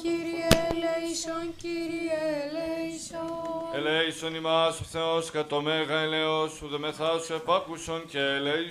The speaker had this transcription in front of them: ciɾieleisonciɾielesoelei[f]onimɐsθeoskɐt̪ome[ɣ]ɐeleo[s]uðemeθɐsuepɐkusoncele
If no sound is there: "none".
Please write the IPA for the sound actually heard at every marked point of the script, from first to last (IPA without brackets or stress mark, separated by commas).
s, ɣ, s